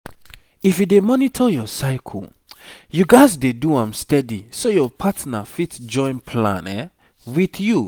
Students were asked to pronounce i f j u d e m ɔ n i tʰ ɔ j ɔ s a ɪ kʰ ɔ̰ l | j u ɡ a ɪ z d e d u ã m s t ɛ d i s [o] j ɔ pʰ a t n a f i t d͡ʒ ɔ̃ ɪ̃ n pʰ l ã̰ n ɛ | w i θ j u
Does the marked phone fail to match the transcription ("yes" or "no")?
no